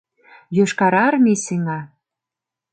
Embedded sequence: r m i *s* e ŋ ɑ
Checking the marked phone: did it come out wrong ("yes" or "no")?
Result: no